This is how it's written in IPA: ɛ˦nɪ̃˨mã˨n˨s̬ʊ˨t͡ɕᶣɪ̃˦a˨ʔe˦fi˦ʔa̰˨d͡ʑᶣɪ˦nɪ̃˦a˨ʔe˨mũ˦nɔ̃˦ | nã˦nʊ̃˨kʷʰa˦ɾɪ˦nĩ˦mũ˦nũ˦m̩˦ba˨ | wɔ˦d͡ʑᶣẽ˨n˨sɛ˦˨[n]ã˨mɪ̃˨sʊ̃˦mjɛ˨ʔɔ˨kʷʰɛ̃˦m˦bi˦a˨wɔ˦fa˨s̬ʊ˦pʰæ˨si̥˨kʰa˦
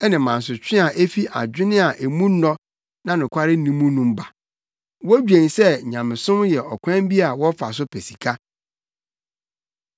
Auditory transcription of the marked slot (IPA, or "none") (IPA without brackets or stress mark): ɲ